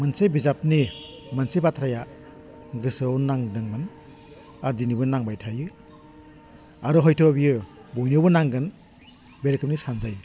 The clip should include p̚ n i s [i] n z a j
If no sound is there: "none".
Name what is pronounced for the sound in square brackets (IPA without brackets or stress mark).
a